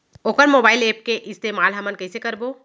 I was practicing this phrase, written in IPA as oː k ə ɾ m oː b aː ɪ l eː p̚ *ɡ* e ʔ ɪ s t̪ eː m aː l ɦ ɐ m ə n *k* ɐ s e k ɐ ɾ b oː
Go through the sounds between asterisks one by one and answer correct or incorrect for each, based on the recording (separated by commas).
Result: incorrect, correct